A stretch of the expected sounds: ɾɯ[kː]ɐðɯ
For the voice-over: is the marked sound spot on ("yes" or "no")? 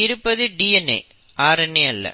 no